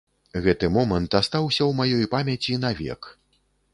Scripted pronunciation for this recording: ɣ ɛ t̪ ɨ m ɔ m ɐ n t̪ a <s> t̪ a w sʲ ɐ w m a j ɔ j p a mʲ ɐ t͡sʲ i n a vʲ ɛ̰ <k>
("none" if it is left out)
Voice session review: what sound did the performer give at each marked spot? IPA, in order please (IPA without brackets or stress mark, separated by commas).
s, k